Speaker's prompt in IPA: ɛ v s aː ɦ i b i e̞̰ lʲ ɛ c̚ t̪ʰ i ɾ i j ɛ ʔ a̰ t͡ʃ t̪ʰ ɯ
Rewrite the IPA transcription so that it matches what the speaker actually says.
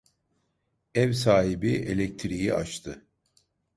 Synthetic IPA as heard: ɛ v s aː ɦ i b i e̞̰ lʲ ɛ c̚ t̪ʰ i ɾ i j i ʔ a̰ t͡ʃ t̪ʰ ɯ